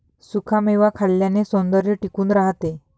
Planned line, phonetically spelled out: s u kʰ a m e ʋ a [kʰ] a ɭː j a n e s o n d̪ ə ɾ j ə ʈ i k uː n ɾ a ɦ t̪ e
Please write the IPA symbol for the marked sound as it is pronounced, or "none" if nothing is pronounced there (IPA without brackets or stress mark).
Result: kʰ